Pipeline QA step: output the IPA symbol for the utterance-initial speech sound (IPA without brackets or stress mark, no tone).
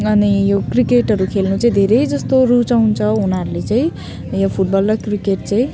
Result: ʌ